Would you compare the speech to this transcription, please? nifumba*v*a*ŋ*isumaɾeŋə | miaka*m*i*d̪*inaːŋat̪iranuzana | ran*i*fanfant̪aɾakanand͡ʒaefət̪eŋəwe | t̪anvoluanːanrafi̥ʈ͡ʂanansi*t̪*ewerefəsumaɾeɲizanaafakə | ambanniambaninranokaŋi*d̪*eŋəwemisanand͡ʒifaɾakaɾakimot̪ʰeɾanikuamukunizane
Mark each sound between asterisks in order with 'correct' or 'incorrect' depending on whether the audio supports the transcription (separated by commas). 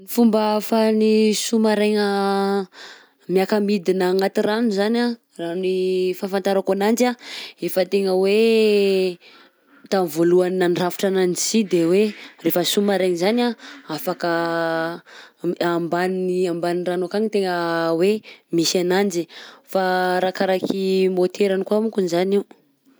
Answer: incorrect, incorrect, correct, correct, correct, incorrect, incorrect